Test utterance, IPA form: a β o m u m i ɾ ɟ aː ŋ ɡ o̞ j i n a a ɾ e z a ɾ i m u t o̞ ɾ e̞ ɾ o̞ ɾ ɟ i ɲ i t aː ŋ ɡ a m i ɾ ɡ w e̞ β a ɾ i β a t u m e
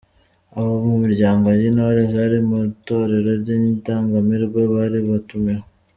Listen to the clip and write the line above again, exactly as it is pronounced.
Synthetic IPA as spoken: a β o m u m i ɾ ɟ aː ŋ ɡ o̞ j i n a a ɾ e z a ɾ i m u t o̞ ɾ e̞ ɾ o̞ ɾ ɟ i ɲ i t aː ŋ ɡ a m i ɾ ɡ w e̞ β a ɾ i β a t u m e